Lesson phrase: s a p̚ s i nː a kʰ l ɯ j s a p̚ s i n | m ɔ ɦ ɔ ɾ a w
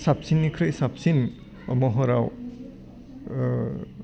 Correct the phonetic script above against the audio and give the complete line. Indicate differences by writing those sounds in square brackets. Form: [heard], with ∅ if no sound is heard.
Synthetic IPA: s a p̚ s i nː [i] kʰ [ɾ] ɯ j s a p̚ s i n | m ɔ ɦ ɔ ɾ a w